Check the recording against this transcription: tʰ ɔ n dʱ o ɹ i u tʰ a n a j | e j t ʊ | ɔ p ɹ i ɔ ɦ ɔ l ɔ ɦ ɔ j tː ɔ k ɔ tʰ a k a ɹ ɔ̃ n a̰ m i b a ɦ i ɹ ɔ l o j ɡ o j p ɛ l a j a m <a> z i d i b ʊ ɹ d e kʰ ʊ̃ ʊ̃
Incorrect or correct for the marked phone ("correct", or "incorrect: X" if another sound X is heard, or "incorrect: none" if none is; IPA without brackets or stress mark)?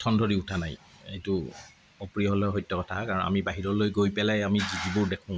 incorrect: i